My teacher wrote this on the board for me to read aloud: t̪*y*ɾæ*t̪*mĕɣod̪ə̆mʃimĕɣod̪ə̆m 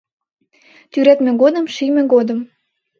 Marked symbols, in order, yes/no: yes, yes

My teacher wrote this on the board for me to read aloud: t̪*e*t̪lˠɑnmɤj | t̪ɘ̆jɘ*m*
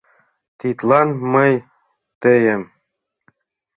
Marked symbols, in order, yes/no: no, yes

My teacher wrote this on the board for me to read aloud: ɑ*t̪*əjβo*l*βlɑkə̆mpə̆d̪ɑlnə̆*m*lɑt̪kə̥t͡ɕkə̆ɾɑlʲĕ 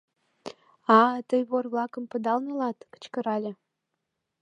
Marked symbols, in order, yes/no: yes, no, no

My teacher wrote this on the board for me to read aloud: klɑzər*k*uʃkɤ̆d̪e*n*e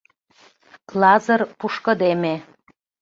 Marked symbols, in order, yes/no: no, no

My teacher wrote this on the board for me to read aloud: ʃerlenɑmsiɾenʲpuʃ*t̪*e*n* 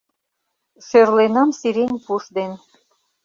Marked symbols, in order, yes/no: no, yes

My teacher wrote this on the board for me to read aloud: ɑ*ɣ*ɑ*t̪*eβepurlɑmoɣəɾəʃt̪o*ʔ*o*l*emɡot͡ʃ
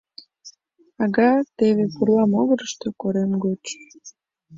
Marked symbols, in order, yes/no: yes, yes, no, no

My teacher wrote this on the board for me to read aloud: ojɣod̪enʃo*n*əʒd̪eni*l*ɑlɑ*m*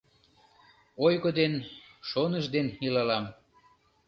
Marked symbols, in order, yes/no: yes, yes, yes

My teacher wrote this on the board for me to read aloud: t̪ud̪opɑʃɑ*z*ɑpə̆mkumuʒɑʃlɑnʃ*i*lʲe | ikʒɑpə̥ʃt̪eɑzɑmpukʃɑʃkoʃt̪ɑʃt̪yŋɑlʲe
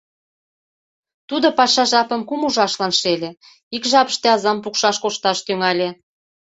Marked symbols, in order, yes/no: no, no

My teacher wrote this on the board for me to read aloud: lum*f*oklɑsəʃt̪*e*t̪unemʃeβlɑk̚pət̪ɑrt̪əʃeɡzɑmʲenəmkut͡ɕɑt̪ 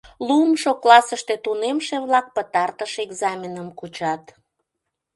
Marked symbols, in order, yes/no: no, yes

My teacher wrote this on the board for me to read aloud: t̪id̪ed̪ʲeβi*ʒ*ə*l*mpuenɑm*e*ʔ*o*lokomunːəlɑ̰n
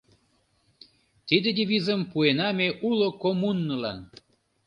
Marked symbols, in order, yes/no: no, no, yes, no

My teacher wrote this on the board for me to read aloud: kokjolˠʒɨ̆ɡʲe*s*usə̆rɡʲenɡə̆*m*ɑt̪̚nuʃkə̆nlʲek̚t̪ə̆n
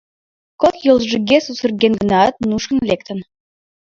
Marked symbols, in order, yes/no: yes, no

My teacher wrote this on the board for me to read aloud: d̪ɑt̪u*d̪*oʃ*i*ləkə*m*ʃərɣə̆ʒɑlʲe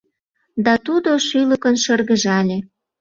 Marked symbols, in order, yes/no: yes, no, no

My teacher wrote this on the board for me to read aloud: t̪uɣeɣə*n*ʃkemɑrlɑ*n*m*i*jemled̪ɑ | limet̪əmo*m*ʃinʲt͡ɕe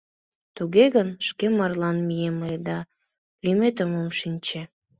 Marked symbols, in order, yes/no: yes, yes, yes, yes

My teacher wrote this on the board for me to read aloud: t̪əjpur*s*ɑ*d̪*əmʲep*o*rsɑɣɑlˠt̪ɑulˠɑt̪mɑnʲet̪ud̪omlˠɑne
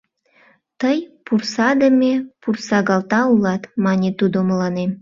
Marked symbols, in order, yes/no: yes, yes, no

